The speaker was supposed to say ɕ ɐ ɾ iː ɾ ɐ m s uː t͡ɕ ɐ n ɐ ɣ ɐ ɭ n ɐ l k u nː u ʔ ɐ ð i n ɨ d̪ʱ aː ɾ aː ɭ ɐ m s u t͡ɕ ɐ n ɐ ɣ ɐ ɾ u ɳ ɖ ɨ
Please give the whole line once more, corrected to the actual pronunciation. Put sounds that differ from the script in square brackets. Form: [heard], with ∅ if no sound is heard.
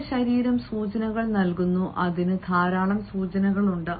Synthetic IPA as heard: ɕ ɐ ɾ iː ɾ ɐ m s uː t͡ɕ ɐ n ɐ ɣ ɐ ɭ n ɐ l k u nː u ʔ ɐ ð i n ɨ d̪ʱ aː ɾ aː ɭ ɐ m s [uː] t͡ɕ ɐ n ɐ ɣ ɐ [ɭ] u ɳ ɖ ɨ